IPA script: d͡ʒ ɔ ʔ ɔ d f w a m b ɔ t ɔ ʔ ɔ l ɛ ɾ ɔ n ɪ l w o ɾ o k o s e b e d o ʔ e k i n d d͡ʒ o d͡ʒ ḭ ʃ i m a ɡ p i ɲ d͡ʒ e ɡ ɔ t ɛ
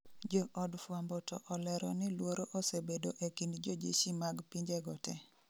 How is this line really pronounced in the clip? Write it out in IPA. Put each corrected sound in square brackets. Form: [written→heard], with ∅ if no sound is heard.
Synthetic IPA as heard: d͡ʒ ɔ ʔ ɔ d f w a m b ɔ t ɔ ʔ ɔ l ɛ ɾ ɔ n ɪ l w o ɾ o [k→ʔ] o s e b e d o ʔ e k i n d d͡ʒ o d͡ʒ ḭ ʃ i m a ɡ p i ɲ d͡ʒ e ɡ ɔ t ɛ